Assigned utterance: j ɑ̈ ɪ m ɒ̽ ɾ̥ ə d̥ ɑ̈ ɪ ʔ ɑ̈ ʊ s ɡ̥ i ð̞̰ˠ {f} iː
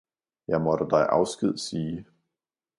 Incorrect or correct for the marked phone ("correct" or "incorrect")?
incorrect